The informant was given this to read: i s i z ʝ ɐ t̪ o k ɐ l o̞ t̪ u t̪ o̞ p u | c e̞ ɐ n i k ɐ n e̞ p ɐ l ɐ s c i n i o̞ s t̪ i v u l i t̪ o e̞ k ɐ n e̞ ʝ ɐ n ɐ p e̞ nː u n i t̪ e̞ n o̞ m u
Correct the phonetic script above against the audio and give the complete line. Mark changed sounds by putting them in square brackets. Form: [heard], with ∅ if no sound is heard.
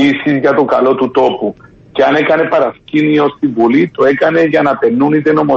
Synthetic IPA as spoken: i s i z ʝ ɐ t̪ o k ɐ l o̞ t̪ u t̪ o̞ p u | c e̞ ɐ n [e] k ɐ n e̞ p ɐ [ɾ] ɐ s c i n i o̞ s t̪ i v u l i t̪ o e̞ k ɐ n e̞ ʝ ɐ n ɐ p e̞ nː u n i t̪ e̞ n o̞ m [o]